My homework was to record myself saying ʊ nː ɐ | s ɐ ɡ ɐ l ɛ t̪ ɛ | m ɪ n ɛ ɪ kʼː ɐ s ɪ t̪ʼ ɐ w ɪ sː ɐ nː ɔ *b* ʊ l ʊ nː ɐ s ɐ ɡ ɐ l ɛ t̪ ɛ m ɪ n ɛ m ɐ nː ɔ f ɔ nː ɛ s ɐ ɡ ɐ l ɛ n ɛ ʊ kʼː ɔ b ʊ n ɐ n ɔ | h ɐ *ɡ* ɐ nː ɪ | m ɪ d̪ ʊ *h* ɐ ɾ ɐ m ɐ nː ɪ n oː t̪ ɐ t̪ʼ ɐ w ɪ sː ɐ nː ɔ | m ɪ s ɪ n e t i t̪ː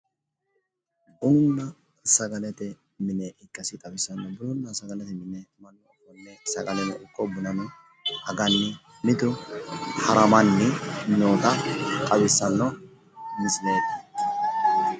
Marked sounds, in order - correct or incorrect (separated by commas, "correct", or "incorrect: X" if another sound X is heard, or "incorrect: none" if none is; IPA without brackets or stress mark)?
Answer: correct, correct, correct